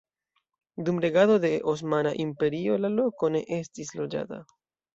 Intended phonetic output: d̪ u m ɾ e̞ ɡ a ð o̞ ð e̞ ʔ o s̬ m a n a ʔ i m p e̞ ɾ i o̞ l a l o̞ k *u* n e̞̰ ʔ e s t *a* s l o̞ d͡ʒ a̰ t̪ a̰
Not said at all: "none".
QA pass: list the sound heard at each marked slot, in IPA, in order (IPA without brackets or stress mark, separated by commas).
o, i